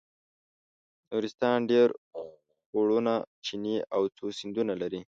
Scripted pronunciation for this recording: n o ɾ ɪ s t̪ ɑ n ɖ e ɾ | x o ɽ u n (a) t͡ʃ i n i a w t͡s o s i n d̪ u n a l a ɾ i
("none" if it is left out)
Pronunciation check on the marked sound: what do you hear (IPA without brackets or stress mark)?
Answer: a